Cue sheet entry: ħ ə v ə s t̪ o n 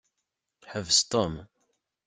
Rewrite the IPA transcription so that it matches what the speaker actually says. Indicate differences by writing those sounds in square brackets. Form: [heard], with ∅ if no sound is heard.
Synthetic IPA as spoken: ħ ə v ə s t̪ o [m]